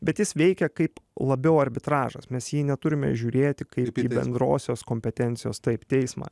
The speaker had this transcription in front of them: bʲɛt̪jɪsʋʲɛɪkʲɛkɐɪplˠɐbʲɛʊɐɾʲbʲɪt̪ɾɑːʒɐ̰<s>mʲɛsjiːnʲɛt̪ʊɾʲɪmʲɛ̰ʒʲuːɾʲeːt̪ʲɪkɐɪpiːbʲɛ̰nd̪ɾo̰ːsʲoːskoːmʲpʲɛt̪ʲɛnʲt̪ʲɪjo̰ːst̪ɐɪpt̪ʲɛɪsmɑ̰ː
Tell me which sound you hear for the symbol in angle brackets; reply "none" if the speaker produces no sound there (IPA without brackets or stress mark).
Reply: s